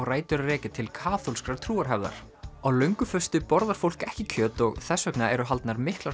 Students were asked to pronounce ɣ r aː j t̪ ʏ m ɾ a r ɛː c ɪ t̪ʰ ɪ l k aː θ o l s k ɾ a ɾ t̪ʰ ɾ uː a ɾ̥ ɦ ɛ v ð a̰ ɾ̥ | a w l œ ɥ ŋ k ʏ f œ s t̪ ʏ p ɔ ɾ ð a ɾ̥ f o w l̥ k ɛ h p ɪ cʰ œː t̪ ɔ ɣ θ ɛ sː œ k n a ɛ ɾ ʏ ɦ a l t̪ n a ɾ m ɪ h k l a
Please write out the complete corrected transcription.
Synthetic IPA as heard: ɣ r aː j t̪ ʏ ɾ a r ɛː c ɪ t̪ʰ ɪ l kʰ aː θ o l s k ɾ a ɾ t̪ʰ ɾ uː a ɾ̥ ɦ ɛ v ð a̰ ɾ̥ | a w l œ ɥ ŋ k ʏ f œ s t̪ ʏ p ɔ ɾ ð a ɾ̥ f o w l̥ k ɛ h c ɪ cʰ œː t̪ ɔ ɣ θ ɛ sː œ k n a ɛ ɾ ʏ ɦ a l t̪ n a ɾ m ɪ h k l a